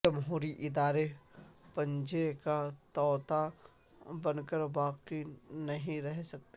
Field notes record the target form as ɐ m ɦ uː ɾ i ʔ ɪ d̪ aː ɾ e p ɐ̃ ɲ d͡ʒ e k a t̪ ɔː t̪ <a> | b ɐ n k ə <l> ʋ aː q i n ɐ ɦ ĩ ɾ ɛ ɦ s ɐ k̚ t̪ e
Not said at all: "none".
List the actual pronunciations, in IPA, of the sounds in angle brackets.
a, ɾ

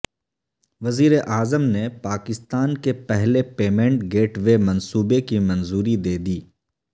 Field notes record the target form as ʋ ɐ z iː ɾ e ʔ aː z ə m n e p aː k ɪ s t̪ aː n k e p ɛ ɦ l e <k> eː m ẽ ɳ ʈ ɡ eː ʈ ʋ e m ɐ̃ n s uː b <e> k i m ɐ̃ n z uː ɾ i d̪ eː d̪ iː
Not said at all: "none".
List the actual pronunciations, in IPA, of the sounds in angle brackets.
p, e

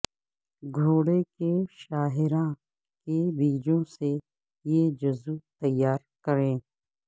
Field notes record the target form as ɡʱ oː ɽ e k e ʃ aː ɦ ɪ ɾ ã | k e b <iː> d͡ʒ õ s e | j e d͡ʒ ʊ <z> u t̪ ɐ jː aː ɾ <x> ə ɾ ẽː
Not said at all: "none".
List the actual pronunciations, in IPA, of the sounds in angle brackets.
iː, z, k

